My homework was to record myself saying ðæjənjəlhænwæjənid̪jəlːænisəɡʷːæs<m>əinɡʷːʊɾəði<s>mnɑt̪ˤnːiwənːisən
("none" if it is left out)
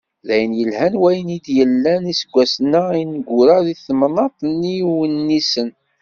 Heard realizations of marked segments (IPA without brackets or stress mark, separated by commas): n, θ